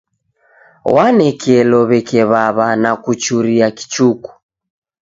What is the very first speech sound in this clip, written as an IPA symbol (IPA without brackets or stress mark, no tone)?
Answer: w